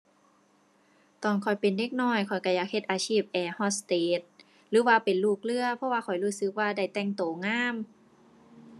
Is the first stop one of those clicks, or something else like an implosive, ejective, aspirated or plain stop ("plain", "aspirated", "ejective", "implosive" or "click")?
plain